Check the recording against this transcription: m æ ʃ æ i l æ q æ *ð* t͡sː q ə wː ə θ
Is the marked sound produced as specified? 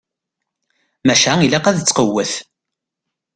yes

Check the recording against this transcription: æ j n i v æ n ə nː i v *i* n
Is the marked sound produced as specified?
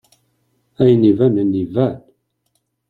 no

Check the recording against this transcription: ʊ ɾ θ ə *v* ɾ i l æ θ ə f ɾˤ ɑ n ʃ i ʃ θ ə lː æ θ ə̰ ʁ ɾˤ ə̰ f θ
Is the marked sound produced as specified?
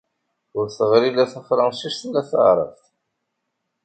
no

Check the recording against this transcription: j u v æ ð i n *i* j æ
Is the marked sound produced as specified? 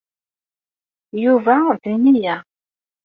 yes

